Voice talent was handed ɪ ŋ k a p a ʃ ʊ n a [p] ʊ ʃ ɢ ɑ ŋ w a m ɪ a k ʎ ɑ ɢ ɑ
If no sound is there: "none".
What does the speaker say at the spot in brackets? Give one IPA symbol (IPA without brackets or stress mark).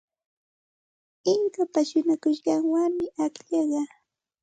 k